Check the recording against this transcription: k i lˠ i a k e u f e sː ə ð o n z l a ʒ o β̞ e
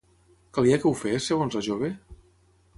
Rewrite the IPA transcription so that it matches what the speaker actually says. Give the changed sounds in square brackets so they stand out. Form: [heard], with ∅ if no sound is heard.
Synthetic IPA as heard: k [a] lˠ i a k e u f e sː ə [ɣ] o n z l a ʒ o β̞ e

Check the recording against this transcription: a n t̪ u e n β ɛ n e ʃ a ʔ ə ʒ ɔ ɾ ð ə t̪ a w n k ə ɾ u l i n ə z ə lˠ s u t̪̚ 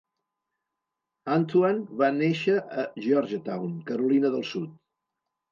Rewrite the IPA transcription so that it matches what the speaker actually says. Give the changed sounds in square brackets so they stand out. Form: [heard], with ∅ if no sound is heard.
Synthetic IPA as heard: a n t̪ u [a] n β [a] n e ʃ [ə] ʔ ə ʒ ɔ ɾ [ʒ] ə t̪ a w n k ə ɾ u l i n ə [ð] ə lˠ s u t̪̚

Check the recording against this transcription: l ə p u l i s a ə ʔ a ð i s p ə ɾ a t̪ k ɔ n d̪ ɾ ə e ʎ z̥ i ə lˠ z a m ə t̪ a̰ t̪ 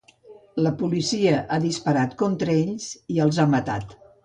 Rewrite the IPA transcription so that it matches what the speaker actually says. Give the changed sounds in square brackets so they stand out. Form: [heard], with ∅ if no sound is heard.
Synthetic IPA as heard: l ə p u l i s [i] ə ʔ a ð i s p ə ɾ a t̪ k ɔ n [t̪] ɾ ə e ʎ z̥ i ə lˠ z a m ə t̪ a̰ t̪

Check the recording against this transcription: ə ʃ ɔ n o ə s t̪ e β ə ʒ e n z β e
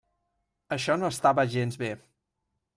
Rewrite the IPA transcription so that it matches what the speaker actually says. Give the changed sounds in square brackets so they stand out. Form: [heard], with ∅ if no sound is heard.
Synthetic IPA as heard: ə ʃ ɔ n o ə s t̪ [a] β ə ʒ e n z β e

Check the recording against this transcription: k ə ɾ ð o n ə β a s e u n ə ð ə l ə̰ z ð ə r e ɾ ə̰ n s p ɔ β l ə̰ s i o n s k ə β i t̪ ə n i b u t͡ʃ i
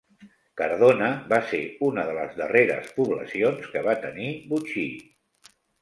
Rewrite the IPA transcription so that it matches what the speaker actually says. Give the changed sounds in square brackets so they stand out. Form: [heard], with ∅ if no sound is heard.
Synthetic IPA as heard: k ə ɾ ð o n ə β a s e u n ə ð ə l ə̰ z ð ə r e ɾ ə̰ [∅] s p [u] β l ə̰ s i o n s k ə β [a] t̪ ə n i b u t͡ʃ i

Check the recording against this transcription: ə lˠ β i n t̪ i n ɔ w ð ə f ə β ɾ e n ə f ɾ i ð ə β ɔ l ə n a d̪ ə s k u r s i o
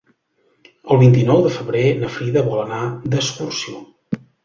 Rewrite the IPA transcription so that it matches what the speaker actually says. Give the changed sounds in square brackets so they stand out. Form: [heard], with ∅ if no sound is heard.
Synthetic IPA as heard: ə lˠ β i n t̪ i n ɔ w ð ə f ə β ɾ e n ə f ɾ i ð ə β ɔ l ə n a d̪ ə s k u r s i o

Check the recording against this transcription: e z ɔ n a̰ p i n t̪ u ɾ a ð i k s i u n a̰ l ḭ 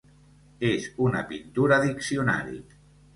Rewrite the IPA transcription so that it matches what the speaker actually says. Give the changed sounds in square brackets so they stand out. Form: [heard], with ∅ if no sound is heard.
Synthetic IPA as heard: e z [u] n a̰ p i n t̪ u ɾ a ð i k s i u n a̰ [ɾ] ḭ

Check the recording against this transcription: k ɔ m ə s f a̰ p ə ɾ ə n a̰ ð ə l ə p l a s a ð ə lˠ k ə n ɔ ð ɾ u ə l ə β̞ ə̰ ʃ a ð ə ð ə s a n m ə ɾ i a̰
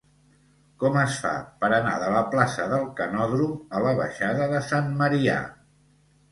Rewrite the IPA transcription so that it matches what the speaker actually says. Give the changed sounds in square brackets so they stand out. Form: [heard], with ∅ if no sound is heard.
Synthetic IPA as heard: k ɔ m ə s f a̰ p ə ɾ ə n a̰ ð ə l ə p l a s [ə] ð ə lˠ k ə n ɔ ð ɾ u ə l ə β̞ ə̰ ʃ a ð ə ð ə s a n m ə ɾ i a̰

